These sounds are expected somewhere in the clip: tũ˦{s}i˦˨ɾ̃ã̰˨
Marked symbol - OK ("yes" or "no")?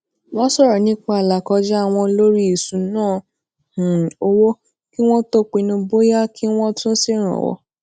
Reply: yes